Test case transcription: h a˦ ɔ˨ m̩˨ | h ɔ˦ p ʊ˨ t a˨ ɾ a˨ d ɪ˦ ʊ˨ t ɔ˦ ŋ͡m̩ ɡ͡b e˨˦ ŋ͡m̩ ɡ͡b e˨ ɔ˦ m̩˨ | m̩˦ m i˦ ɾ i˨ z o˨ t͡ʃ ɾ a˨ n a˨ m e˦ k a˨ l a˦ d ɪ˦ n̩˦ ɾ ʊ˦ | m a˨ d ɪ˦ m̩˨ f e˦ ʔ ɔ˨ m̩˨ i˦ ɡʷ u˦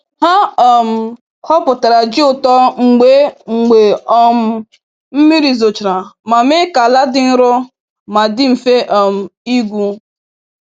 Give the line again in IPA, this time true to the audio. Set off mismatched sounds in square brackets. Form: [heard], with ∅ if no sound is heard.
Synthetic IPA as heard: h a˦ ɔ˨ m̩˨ | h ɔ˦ p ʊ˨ t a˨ ɾ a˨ [d͡ʒ] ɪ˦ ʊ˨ t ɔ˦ ŋ͡m̩ ɡ͡b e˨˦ ŋ͡m̩ ɡ͡b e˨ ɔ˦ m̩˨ | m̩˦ m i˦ ɾ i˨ z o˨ t͡ʃ ɾ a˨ [m] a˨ m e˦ k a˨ l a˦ d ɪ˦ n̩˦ ɾ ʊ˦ | m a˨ d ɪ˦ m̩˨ f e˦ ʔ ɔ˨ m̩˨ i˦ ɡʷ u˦